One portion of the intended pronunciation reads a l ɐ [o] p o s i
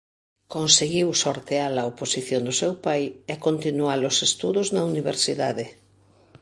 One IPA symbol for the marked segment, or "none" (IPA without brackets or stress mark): o